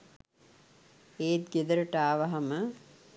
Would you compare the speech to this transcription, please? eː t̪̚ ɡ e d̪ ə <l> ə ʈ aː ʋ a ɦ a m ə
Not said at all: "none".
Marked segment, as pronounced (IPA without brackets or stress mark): ɾ